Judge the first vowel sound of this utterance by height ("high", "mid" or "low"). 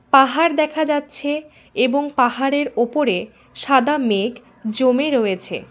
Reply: low